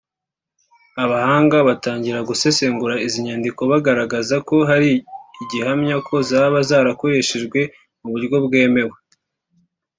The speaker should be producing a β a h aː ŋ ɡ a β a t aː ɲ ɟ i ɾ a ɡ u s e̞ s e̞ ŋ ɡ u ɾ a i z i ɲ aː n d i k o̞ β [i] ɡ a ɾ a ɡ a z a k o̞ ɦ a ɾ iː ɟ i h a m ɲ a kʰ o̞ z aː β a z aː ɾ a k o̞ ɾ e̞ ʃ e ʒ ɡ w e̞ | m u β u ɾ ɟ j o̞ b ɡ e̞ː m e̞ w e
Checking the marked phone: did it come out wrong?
yes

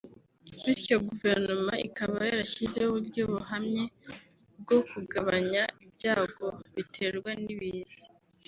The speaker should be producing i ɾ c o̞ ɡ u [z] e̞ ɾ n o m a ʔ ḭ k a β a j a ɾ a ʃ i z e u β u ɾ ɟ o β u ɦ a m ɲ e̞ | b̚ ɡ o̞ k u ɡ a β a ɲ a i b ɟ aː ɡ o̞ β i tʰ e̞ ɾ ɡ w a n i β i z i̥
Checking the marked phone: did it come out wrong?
yes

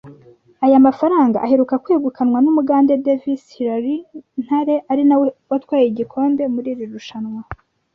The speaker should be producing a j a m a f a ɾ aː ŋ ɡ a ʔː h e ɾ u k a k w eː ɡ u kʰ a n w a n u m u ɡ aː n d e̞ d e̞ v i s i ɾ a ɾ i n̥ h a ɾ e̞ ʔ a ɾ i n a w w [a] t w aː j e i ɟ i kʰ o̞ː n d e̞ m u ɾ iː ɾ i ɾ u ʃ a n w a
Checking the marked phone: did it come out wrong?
no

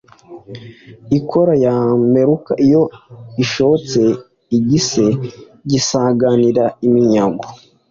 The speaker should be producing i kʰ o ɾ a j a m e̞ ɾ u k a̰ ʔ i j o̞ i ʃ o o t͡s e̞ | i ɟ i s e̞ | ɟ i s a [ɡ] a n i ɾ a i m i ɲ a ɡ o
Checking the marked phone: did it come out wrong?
no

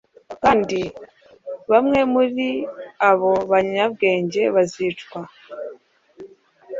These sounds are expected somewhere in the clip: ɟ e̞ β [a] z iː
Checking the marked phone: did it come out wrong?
no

